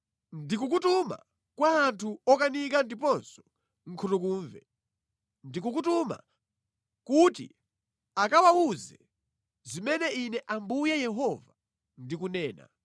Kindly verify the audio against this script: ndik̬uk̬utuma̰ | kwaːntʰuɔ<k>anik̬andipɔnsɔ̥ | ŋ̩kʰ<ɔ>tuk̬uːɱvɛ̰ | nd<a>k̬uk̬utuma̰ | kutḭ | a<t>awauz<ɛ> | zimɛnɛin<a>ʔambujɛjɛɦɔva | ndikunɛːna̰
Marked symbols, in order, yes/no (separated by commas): yes, no, no, no, yes, no